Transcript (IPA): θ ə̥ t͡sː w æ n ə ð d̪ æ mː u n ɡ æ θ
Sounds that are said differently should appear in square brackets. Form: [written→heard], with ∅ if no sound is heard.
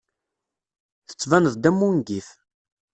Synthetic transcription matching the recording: θ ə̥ t͡sː [w→v] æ n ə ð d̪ æ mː u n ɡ [æ→i] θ